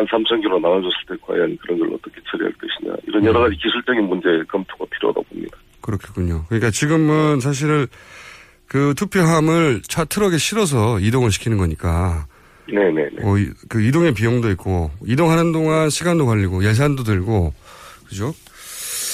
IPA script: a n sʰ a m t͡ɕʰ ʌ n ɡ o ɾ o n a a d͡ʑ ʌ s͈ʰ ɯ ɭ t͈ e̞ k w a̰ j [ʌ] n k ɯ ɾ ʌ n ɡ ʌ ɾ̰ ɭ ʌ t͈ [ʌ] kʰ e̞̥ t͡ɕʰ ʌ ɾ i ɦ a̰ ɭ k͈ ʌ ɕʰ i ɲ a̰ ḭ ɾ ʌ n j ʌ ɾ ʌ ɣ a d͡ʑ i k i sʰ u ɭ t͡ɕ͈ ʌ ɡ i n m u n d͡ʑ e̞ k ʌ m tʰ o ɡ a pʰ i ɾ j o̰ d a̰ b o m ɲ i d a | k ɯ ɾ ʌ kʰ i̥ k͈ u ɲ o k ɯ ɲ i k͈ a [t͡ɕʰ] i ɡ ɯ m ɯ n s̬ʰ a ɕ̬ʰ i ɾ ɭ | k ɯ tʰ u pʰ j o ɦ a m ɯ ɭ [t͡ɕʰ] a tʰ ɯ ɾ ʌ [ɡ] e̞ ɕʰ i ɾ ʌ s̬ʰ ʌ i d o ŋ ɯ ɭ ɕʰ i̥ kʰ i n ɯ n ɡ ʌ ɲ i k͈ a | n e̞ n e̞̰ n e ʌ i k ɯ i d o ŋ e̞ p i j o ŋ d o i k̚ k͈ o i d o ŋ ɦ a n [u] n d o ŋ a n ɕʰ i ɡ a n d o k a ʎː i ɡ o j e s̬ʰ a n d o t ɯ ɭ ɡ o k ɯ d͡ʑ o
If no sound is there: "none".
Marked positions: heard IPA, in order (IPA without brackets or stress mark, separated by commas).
a, ʌ, t͡ɕ, t͡ɕʰ, ɡ, ɯ